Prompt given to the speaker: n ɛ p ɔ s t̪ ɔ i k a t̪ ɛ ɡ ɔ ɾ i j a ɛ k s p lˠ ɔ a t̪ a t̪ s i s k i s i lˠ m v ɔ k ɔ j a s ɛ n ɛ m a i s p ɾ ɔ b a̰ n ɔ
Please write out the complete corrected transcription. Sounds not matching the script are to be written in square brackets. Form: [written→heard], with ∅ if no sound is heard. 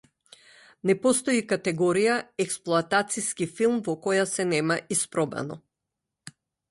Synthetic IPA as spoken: n ɛ p ɔ s t̪ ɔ i k a t̪ ɛ ɡ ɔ ɾ i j a ɛ k s p lˠ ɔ a t̪ a t̪ s i s k i [s→f] i lˠ m v ɔ k ɔ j a s ɛ n ɛ m a i s p ɾ ɔ b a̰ n ɔ